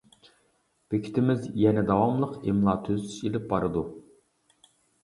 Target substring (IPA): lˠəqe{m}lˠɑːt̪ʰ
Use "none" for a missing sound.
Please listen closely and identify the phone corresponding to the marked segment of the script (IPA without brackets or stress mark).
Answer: m